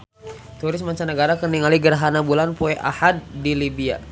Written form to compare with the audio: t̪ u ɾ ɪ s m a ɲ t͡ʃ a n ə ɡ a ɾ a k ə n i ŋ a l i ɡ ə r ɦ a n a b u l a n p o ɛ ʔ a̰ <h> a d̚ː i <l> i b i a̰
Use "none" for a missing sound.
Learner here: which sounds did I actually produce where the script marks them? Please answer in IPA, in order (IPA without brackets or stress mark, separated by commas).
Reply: h, l